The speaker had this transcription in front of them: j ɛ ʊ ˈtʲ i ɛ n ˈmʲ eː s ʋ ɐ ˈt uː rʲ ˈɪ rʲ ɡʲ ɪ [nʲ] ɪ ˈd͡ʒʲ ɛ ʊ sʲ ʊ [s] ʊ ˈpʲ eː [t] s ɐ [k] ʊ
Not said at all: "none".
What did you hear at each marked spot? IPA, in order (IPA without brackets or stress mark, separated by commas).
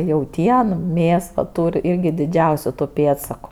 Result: dʲ, t, t, k